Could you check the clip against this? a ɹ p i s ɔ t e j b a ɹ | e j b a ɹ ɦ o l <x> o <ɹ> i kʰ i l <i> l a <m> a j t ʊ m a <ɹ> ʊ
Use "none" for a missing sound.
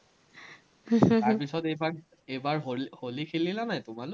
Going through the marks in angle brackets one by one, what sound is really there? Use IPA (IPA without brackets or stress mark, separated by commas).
h, l, i, n, l